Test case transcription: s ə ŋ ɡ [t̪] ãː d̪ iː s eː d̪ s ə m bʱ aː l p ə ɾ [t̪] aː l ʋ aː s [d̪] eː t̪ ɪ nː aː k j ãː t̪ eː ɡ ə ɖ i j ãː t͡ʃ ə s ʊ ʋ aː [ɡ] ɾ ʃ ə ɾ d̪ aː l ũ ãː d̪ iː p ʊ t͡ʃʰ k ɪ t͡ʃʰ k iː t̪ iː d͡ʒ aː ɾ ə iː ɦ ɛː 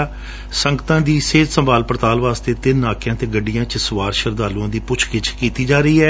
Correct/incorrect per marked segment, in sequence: correct, correct, incorrect: t̪, incorrect: none

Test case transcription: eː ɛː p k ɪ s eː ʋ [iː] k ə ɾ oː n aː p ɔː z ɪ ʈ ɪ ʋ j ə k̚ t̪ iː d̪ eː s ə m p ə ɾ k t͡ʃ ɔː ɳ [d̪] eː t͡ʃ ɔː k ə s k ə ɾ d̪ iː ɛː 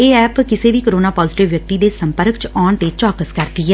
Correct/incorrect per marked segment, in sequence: correct, incorrect: t̪

